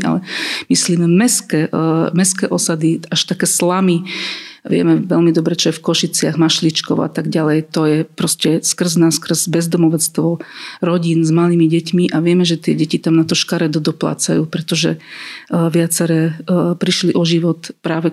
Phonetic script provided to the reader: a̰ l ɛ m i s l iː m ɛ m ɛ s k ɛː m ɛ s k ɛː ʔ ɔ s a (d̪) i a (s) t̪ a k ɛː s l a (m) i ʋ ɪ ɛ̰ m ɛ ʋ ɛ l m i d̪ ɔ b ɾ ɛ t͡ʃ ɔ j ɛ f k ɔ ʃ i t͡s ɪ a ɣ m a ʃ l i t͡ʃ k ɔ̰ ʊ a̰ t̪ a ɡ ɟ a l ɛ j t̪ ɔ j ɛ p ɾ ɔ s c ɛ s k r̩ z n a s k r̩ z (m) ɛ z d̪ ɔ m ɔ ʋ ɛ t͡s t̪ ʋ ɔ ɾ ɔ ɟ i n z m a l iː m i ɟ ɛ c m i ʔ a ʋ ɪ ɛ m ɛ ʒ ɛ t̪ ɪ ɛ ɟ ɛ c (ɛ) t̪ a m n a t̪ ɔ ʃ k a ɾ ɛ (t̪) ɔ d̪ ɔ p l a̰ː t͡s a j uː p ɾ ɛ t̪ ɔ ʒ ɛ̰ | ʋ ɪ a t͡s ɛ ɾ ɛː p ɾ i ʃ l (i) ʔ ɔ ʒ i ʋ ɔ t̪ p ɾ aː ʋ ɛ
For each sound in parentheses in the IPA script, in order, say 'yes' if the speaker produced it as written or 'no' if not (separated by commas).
yes, no, yes, no, no, no, yes